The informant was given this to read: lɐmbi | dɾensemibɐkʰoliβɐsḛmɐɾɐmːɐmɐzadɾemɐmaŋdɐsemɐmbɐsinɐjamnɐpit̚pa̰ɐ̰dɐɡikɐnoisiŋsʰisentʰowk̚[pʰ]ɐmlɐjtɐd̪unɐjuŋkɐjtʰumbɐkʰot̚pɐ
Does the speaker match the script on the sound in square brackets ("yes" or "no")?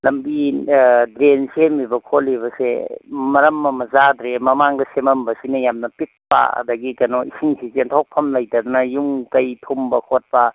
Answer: yes